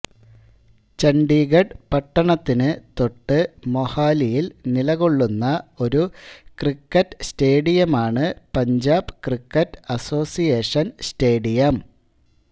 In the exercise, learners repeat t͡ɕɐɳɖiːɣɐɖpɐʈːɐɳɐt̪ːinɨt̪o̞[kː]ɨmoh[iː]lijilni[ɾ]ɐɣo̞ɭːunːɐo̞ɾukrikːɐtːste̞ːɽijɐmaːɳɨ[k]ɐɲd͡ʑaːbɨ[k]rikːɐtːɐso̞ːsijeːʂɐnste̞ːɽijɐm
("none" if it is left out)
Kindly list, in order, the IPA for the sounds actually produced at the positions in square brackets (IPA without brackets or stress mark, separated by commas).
ʈː, aː, l, p, k